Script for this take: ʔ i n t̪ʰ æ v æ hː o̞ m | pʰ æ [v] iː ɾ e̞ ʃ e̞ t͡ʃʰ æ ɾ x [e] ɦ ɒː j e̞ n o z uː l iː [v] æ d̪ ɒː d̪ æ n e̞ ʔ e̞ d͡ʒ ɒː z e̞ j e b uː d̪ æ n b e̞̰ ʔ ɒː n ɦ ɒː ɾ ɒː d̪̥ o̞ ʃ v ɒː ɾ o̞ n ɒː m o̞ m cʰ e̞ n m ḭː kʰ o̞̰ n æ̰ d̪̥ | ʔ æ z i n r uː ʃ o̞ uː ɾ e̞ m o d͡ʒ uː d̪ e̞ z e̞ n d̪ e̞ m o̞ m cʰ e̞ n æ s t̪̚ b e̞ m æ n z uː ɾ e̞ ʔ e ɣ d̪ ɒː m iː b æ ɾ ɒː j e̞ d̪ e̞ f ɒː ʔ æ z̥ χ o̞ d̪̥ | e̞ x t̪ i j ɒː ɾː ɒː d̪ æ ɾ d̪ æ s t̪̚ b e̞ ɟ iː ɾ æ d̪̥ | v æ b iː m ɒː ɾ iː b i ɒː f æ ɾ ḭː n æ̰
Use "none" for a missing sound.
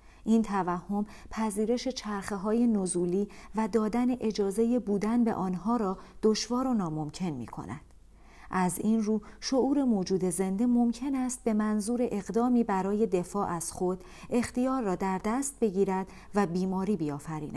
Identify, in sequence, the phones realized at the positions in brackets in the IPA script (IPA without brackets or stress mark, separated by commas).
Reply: z, e, v